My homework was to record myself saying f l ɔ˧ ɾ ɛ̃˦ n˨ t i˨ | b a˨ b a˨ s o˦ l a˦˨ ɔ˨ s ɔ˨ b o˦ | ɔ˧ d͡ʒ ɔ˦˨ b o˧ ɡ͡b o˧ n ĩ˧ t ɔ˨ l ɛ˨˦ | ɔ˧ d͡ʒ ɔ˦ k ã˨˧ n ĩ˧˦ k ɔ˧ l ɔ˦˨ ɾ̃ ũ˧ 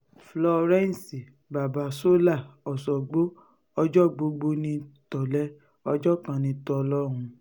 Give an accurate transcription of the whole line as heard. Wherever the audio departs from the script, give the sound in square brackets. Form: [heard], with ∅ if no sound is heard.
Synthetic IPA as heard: f l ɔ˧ ɾ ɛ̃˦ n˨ [s] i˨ | b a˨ b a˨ s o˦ l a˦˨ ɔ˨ s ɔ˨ [ɡ͡b] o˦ | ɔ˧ d͡ʒ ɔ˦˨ [ɡ͡b] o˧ ɡ͡b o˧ n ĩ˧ t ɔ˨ l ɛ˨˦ | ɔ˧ d͡ʒ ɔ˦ k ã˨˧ n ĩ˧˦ [t] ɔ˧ l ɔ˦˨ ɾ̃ ũ˧